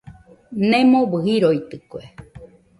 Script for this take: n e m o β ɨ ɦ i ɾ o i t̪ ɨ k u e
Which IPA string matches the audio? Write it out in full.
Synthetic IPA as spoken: n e m o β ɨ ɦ i ɾ o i t̪ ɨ k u e